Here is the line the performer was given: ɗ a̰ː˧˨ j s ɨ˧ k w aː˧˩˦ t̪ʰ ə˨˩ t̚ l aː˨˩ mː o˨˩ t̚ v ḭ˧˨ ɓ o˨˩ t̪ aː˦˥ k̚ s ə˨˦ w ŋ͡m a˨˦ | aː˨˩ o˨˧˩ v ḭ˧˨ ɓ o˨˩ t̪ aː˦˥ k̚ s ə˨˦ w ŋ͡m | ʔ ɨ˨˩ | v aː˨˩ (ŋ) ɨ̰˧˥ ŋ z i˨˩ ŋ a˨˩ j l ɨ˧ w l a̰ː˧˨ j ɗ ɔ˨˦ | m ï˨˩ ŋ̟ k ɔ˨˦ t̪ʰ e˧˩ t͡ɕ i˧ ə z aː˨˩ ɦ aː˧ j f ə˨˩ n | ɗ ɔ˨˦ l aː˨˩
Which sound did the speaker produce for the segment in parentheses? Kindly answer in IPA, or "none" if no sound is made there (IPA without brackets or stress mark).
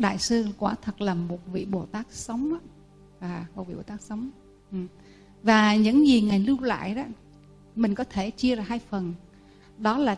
ɲ